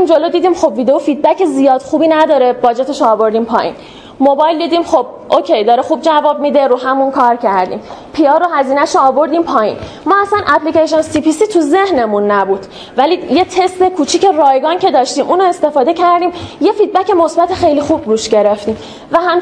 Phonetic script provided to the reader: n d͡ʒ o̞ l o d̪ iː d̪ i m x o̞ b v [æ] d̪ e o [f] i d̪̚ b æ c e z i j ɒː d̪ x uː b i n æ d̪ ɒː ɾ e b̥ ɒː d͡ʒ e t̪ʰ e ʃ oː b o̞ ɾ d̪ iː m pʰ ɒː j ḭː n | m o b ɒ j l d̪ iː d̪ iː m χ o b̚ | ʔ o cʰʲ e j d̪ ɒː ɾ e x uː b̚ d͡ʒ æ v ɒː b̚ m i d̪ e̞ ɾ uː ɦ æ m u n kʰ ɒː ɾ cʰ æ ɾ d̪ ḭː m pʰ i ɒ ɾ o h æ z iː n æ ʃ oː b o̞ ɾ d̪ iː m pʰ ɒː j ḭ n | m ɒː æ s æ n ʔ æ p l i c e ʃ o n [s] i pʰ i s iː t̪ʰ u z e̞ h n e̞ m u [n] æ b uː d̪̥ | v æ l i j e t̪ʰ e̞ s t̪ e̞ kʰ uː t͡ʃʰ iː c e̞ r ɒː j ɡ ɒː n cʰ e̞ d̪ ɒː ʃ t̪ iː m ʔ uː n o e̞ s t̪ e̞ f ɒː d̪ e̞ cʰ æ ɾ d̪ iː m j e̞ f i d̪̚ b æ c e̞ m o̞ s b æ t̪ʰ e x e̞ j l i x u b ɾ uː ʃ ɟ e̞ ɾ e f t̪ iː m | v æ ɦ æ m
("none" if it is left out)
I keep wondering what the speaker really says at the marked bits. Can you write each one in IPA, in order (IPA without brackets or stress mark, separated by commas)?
i, f, s, nː